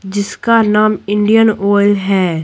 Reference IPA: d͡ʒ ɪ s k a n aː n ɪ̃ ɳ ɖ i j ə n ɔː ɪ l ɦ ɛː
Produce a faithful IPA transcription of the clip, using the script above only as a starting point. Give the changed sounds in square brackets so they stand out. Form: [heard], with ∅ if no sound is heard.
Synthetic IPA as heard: d͡ʒ ɪ s k a n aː [m] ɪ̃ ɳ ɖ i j ə n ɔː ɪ l ɦ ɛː